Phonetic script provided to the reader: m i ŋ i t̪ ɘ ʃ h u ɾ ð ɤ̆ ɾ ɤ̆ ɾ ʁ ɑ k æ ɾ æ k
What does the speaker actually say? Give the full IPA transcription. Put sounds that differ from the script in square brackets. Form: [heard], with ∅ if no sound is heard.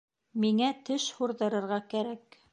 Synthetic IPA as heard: m i ŋ [æ] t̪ ɘ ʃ h u ɾ ð ɤ̆ ɾ ɤ̆ ɾ ʁ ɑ k æ ɾ æ k